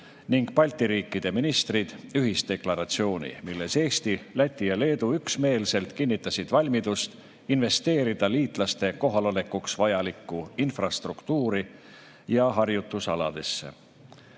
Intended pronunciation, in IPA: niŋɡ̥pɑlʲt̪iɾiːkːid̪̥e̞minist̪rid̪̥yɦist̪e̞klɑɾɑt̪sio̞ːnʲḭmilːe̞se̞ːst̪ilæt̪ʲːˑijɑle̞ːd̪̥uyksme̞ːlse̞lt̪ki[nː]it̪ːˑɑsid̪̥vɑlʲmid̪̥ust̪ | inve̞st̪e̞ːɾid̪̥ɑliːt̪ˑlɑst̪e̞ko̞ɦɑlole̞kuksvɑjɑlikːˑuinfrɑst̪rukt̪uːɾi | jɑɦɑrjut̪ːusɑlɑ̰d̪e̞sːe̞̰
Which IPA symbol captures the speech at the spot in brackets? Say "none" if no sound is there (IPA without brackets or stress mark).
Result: nː